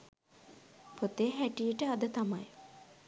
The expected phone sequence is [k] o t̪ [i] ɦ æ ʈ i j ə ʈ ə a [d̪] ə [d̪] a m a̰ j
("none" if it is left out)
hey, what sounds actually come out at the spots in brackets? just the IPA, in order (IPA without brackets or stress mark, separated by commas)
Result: p, e, d̪, t̪